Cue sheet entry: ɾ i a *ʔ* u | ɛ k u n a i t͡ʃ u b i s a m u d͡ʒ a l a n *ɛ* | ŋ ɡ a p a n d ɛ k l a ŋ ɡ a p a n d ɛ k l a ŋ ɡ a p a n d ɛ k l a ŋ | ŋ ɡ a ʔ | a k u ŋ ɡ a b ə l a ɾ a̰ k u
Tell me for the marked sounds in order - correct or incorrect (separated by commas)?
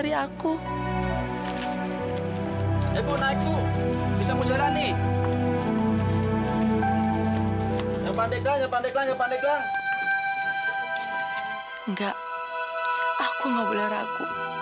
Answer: incorrect, incorrect